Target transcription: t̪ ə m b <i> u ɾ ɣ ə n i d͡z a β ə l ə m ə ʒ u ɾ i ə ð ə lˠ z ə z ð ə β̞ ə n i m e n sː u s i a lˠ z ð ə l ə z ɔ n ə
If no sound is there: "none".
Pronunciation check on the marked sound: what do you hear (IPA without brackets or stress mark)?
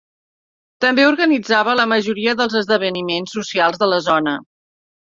e